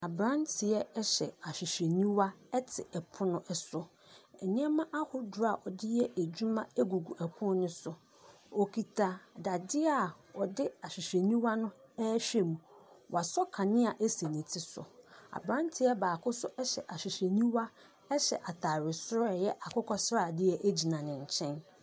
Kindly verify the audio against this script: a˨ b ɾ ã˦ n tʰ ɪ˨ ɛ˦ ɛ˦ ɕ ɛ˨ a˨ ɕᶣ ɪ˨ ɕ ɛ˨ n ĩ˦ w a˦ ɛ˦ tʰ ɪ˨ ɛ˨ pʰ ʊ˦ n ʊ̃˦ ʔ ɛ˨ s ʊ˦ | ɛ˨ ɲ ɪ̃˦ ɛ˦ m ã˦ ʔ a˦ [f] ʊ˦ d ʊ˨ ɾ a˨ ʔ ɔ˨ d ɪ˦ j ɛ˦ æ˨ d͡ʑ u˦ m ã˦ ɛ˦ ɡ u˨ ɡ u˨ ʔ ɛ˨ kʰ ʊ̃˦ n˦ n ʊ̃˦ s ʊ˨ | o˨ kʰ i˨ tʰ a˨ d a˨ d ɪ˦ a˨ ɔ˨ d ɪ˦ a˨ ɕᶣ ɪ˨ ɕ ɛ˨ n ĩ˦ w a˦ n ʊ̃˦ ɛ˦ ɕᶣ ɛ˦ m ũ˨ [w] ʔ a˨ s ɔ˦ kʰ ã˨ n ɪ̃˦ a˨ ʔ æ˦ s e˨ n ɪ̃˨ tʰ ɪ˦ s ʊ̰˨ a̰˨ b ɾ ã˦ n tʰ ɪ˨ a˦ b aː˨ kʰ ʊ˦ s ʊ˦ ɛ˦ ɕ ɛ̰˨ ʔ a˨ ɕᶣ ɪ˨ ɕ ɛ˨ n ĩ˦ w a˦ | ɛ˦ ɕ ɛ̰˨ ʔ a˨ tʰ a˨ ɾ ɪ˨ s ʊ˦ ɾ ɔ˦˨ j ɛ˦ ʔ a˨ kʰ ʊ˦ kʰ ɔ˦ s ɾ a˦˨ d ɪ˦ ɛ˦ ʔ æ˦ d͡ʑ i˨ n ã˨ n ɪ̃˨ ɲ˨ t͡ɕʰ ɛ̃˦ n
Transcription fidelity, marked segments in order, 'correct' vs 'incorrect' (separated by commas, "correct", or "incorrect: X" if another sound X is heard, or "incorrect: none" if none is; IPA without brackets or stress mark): incorrect: h, correct